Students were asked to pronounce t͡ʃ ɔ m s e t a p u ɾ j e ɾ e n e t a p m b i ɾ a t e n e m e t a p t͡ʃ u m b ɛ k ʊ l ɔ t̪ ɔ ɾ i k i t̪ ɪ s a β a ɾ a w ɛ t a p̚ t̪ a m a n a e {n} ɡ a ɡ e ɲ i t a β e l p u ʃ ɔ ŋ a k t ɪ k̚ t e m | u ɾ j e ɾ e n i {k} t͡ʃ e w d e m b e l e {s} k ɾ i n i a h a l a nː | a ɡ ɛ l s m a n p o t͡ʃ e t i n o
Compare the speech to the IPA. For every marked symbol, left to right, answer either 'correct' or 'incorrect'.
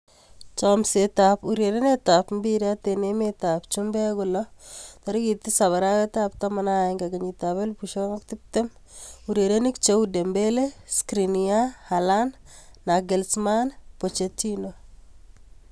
incorrect: ŋ, correct, correct

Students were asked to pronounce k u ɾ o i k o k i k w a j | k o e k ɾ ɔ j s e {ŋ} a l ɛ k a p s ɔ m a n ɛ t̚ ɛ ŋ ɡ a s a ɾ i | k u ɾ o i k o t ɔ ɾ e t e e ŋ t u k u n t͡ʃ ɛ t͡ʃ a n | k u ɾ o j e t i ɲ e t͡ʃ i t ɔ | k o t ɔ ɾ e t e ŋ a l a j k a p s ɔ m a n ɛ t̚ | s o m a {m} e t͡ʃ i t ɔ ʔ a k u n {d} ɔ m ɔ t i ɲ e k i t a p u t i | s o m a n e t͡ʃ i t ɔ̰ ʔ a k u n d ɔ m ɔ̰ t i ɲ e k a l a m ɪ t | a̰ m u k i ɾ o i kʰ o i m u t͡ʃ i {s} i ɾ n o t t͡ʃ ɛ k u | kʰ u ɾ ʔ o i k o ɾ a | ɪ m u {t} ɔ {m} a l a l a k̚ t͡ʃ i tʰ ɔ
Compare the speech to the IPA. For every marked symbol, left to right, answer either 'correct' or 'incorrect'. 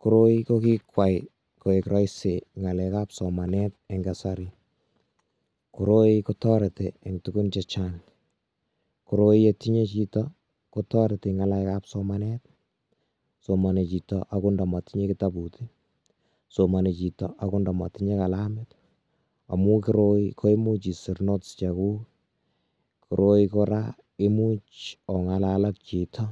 correct, incorrect: n, correct, correct, incorrect: t͡ʃ, incorrect: ŋ

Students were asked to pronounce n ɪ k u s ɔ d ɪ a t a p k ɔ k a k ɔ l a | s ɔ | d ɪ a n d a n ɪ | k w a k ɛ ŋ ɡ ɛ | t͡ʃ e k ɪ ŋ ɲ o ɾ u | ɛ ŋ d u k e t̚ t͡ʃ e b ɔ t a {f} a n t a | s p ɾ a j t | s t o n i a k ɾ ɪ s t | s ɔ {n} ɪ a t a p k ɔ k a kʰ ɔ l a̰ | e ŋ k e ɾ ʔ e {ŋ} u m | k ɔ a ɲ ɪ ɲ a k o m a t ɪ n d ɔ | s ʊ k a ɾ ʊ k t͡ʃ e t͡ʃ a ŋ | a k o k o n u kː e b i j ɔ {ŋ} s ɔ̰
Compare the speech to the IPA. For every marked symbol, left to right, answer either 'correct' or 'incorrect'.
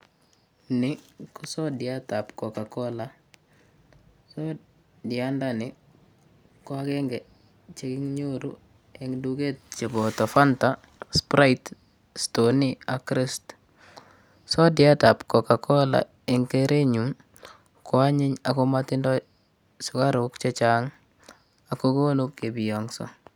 correct, incorrect: d, incorrect: ɲ, correct

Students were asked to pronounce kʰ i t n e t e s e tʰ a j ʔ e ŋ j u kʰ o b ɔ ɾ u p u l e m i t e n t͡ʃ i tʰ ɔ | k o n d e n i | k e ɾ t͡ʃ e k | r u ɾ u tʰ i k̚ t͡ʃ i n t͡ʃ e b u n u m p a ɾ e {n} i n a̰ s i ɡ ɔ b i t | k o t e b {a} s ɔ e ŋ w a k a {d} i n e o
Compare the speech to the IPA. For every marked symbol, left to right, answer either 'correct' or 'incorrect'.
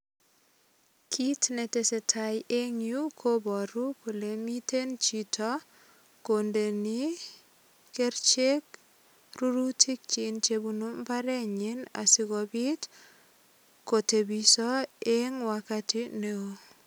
incorrect: ɲ, incorrect: i, incorrect: t

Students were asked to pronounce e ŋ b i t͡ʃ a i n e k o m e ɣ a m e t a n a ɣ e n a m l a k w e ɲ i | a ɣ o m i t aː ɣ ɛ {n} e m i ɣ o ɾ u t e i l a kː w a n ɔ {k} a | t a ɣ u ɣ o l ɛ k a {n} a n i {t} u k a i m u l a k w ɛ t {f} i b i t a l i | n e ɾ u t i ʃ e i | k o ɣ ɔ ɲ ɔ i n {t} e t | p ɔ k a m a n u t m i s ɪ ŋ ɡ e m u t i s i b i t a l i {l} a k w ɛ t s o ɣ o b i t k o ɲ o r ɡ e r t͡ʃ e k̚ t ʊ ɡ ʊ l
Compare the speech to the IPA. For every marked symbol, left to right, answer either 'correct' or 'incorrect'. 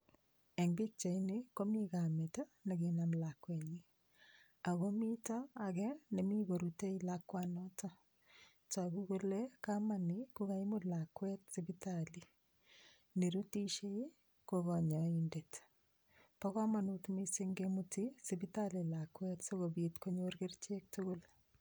correct, incorrect: t, incorrect: m, incorrect: k, incorrect: s, incorrect: d, correct

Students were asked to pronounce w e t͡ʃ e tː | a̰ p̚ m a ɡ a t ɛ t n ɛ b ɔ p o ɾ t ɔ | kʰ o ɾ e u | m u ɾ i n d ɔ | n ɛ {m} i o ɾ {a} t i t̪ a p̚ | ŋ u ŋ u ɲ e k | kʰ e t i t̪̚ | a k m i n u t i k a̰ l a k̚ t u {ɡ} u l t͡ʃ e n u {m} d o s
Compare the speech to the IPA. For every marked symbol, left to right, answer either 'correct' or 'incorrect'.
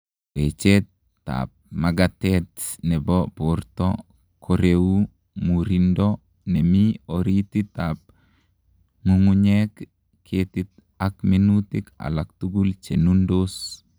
correct, incorrect: i, correct, incorrect: n

